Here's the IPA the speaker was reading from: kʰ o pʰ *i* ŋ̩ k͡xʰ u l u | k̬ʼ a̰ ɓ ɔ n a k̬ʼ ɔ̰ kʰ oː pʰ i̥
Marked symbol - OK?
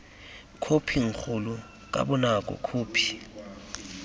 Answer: yes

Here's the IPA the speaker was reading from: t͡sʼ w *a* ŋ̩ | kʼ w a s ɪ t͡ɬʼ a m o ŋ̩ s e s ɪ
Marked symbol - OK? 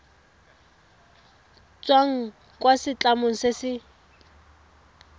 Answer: yes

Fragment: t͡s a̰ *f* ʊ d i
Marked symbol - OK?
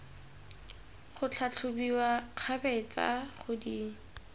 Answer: no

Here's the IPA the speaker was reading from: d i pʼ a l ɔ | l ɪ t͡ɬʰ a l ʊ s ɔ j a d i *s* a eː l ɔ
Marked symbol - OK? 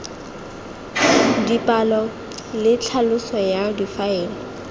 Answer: no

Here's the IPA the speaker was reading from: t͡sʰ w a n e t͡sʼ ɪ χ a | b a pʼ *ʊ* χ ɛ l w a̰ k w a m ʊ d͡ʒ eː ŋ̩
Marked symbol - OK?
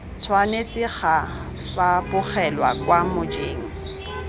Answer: yes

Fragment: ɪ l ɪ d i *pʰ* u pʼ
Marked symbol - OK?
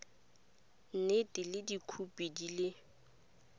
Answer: no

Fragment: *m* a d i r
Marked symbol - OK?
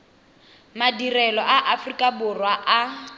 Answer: yes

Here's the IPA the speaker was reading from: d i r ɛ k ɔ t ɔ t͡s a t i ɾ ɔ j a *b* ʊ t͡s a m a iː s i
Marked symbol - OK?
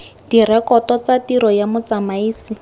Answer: no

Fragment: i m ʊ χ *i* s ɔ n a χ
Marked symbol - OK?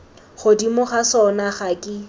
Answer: no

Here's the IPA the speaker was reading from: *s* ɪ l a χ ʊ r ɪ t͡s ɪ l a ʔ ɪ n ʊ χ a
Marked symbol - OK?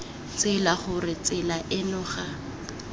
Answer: no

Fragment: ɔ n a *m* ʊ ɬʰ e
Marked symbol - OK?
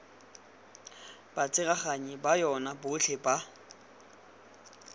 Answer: no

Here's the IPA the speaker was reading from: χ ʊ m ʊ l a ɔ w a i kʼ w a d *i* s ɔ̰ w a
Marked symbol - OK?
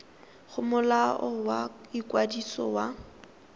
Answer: yes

